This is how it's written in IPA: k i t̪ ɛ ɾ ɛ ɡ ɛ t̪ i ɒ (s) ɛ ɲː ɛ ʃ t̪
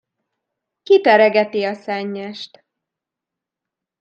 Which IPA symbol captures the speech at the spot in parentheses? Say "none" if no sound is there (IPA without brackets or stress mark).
s